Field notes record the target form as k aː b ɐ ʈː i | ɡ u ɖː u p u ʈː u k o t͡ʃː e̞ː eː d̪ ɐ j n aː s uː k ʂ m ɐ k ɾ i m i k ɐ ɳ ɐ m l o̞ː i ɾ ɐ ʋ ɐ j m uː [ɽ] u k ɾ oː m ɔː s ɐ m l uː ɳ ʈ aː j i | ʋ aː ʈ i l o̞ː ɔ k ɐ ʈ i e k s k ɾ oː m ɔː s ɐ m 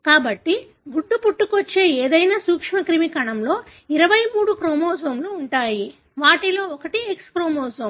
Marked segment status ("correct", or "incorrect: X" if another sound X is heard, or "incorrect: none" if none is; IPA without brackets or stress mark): correct